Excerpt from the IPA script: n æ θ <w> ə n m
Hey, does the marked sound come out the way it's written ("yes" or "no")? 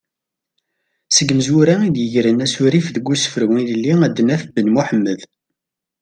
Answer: no